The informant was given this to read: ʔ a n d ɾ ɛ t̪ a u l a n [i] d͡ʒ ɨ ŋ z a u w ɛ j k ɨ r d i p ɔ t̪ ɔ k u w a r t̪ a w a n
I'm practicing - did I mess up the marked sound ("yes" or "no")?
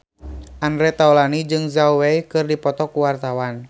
no